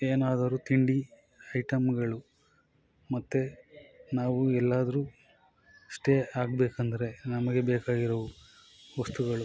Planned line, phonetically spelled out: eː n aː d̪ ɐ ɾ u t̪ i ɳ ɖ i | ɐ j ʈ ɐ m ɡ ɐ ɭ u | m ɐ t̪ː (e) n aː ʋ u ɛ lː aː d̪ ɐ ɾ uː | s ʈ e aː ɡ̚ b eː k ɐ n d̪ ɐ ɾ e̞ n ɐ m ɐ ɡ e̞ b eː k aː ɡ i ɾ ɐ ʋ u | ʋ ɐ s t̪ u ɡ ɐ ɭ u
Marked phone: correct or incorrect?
correct